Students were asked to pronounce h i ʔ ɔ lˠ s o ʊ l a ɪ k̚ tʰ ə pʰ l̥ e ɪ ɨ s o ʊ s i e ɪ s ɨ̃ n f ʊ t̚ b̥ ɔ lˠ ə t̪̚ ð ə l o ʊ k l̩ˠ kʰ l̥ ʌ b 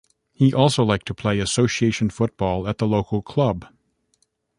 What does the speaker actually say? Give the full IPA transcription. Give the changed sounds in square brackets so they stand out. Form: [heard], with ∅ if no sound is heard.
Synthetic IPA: h i ʔ ɔ lˠ s o ʊ l a ɪ k̚ tʰ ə pʰ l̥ e ɪ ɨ s o ʊ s i e ɪ [ʃ] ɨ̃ n f ʊ t̚ b̥ ɔ lˠ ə t̪̚ ð ə l o ʊ k l̩ˠ kʰ l̥ ʌ b